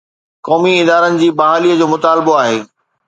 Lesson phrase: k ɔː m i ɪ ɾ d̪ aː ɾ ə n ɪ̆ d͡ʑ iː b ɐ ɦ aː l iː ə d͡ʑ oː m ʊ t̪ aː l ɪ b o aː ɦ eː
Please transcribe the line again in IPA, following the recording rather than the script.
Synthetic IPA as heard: k ɔː m i ɪ d̪ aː ɾ ə n ɪ̆ d͡ʑ iː b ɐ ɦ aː l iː ə d͡ʑ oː m ʊ t̪ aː l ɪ b o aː ɦ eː